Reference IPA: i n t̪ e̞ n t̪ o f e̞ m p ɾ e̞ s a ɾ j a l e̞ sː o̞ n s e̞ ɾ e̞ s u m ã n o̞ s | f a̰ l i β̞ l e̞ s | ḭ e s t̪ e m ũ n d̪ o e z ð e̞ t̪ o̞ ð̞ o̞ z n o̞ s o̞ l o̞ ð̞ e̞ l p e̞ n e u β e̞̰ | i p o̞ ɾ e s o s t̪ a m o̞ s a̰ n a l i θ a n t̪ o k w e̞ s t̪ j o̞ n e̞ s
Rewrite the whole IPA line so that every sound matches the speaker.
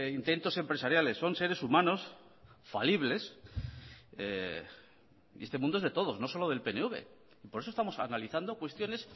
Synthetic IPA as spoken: i n t̪ e̞ n t̪ o s e̞ m p ɾ e̞ s a ɾ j a l e̞ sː o̞ n s e̞ ɾ e̞ s u m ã n o̞ s | f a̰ l i β̞ l e̞ s | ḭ e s t̪ e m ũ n d̪ o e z ð e̞ t̪ o̞ ð̞ o̞ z n o̞ s o̞ l o̞ ð̞ e̞ l p e̞ n e u β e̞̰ | i p o̞ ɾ e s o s t̪ a m o̞ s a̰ n a l i θ a n d̪ o k w e̞ s t̪ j o̞ n e̞ s